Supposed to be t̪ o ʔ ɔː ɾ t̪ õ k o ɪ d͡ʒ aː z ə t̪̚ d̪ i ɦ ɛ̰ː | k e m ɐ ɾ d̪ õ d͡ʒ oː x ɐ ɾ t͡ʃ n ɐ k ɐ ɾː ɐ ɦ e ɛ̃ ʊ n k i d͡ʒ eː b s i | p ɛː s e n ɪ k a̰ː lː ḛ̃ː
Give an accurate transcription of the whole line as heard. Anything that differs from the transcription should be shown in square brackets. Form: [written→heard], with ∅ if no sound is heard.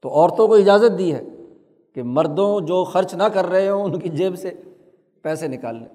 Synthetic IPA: t̪ o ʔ ɔː ɾ t̪ õ k o ɪ d͡ʒ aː z ə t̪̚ d̪ i ɦ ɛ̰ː | k e m ɐ ɾ d̪ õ d͡ʒ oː x ɐ ɾ t͡ʃ n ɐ k ɐ ɾː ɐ ɦ e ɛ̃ ʊ n k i d͡ʒ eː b s [i→e] | p ɛː s e n ɪ k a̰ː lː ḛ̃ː